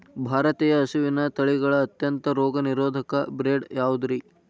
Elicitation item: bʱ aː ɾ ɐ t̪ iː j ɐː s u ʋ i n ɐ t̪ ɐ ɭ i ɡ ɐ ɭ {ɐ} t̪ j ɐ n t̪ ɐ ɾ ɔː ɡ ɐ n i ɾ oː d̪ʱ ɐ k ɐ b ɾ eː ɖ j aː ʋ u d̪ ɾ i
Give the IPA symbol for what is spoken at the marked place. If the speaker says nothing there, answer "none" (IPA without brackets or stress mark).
ɐː